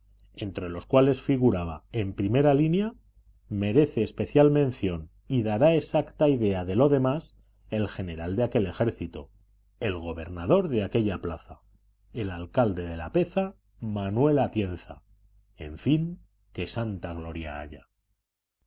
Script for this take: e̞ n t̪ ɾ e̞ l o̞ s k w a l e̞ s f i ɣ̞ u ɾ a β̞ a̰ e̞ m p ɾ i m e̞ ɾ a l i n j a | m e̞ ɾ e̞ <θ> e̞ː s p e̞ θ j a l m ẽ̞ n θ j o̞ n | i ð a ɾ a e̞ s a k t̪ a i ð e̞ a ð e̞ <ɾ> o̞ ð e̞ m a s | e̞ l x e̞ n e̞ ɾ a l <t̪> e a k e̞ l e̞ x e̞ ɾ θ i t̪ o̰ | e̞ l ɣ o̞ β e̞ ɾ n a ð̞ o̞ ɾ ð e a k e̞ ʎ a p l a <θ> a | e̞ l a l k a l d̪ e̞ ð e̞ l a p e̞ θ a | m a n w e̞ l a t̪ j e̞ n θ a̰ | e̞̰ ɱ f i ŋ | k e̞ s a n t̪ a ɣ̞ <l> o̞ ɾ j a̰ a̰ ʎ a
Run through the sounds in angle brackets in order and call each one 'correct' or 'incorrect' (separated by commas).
correct, incorrect, incorrect, correct, correct